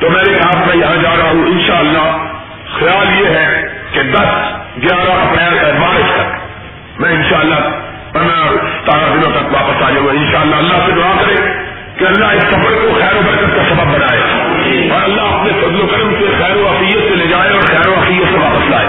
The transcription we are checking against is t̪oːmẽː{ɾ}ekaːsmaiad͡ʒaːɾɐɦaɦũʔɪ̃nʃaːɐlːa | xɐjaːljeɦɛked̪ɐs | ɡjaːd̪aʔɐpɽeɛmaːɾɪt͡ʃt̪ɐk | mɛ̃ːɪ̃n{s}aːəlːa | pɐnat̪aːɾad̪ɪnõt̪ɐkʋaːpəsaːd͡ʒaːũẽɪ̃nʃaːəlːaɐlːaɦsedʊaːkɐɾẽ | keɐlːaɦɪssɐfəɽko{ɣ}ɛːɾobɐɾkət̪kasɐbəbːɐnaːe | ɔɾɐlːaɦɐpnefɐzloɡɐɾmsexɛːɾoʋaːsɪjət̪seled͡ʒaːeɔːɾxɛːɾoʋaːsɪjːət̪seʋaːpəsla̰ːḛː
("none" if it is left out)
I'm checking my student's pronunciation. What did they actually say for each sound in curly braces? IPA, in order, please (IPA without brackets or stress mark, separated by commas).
ɾ, ʃ, x